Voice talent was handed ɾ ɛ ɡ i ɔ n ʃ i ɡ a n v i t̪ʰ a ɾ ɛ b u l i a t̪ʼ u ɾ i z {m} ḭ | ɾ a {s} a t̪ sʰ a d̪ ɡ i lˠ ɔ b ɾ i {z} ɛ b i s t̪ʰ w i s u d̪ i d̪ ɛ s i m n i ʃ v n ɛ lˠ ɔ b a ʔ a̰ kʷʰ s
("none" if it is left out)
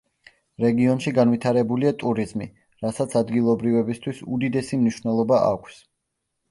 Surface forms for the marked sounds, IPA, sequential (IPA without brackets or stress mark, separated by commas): m, s, v